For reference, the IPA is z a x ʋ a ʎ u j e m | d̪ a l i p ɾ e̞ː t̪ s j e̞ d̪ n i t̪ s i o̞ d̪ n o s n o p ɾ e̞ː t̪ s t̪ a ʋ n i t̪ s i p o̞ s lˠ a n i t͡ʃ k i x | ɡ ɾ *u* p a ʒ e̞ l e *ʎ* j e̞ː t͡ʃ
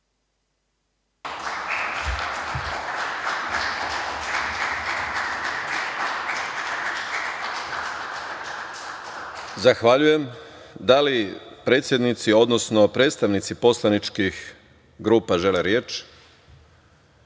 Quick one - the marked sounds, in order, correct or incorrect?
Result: incorrect: uː, incorrect: ɾ

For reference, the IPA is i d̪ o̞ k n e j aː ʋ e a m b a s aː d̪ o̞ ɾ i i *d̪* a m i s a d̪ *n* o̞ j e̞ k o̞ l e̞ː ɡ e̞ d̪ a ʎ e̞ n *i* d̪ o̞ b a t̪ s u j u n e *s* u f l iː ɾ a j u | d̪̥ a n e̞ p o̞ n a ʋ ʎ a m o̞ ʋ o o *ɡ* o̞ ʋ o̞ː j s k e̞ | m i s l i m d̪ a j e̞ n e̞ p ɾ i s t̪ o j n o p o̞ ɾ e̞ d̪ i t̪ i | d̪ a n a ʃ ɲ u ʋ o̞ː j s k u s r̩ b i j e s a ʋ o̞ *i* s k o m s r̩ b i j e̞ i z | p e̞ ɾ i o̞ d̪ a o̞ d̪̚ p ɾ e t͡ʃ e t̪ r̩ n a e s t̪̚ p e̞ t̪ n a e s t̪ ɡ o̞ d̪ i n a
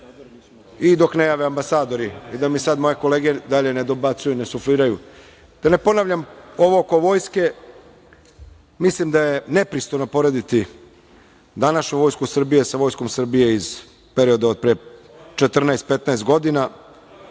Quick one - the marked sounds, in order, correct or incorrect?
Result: correct, incorrect: m, incorrect: e, correct, incorrect: k, incorrect: j

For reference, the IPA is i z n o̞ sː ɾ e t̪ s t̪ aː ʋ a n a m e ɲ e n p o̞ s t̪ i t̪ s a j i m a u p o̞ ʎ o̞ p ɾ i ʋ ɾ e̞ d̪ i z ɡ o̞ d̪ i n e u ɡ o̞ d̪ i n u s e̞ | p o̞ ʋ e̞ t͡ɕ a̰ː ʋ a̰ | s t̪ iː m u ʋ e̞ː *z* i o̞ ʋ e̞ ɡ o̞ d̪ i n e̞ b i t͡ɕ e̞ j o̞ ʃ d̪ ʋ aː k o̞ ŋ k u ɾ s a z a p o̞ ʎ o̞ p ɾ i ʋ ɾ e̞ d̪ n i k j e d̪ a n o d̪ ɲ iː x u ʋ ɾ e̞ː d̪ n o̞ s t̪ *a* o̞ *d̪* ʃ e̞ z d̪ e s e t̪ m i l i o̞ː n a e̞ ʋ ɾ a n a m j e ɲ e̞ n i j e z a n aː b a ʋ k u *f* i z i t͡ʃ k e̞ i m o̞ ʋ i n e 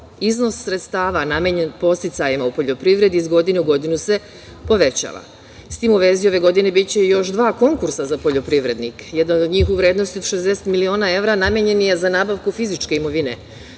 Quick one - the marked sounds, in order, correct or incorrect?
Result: correct, incorrect: i, correct, correct

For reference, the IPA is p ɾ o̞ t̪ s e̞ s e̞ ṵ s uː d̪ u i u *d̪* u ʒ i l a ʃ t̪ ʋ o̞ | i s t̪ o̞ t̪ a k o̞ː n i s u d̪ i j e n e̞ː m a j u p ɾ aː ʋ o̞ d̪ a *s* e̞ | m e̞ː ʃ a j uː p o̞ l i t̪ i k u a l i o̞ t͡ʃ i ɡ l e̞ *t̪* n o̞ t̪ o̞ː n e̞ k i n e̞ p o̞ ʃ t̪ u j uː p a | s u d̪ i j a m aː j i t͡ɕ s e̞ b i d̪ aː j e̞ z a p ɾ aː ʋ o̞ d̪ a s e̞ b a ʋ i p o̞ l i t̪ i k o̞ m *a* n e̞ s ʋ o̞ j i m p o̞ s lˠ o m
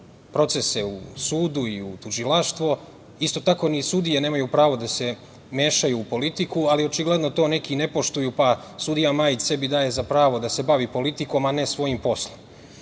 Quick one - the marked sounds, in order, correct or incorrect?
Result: incorrect: t̪, correct, incorrect: d̪, correct

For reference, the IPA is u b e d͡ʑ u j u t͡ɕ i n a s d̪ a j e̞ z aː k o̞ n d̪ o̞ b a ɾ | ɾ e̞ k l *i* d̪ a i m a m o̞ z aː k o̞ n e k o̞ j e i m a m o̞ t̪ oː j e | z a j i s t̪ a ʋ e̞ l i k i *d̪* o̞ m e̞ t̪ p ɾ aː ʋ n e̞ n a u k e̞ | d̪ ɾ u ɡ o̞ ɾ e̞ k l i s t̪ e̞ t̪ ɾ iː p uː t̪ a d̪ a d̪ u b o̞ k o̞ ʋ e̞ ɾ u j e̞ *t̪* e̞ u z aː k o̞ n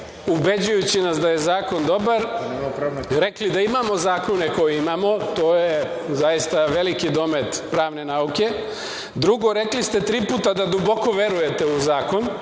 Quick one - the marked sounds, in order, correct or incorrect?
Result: correct, correct, correct

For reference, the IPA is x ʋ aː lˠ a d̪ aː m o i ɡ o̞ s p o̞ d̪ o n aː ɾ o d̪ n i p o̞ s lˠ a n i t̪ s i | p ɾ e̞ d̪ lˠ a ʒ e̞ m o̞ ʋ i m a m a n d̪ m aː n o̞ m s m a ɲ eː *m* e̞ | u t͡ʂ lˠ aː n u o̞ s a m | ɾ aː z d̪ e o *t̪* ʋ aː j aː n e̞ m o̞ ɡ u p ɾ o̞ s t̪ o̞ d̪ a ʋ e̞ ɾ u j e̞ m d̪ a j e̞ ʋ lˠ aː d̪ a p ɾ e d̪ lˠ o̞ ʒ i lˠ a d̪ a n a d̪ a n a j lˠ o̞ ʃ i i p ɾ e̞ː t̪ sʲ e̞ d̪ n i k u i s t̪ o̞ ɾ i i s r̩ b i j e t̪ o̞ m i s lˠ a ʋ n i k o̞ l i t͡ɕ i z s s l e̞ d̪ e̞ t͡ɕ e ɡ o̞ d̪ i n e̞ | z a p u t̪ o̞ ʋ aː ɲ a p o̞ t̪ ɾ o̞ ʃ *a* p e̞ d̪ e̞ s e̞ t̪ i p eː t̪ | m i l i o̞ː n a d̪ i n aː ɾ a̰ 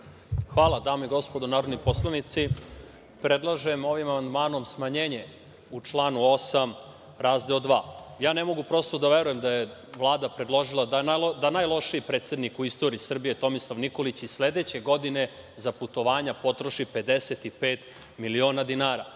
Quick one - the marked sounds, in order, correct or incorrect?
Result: incorrect: ɲ, incorrect: d̪, incorrect: i

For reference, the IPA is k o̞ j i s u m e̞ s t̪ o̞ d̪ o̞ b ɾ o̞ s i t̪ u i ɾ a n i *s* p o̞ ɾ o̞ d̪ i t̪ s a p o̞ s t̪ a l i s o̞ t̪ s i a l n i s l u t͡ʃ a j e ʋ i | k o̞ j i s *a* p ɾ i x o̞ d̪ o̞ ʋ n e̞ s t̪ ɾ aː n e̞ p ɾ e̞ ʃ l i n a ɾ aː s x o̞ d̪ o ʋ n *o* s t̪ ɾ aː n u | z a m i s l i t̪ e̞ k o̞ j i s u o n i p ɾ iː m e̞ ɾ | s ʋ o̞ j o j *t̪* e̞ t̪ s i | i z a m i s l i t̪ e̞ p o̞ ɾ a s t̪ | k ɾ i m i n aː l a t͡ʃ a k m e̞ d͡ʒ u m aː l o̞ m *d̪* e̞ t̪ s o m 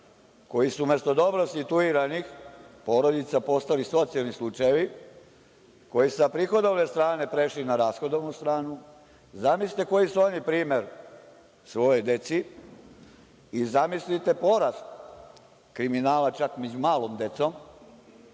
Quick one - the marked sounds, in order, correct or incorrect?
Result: incorrect: x, correct, incorrect: u, incorrect: d̪, correct

